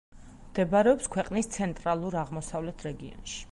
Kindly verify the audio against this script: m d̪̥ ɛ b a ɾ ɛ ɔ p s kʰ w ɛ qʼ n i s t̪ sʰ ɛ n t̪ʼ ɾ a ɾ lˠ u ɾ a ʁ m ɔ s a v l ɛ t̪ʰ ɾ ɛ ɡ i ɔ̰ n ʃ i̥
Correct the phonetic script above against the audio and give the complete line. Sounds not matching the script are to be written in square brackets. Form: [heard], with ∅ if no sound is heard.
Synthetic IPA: m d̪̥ ɛ b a ɾ ɛ ɔ p s kʰ w ɛ qʼ n i s t̪ sʰ ɛ n t̪ʼ ɾ a [∅] lˠ u ɾ a ʁ m ɔ s a v l ɛ t̪ʰ ɾ ɛ ɡ i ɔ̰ n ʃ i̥